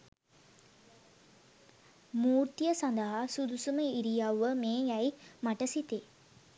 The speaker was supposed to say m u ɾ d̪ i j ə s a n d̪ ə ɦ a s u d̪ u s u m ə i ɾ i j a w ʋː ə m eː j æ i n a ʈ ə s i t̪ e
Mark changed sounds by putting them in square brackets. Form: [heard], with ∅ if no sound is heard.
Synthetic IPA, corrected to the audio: m [uː] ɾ [t̪] i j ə s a n d̪ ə ɦ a s u d̪ u s u m ə i ɾ i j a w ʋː ə m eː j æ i [m] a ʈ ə s i t̪ e